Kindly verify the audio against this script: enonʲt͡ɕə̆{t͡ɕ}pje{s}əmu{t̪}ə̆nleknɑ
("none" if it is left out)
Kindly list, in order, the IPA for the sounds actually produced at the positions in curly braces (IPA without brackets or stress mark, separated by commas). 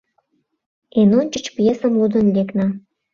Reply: t͡ɕ, s, d̪